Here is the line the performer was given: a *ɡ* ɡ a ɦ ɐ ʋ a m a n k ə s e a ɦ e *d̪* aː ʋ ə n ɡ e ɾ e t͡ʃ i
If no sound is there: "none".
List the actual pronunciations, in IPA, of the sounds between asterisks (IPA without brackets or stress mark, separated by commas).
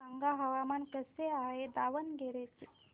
ŋ, d̪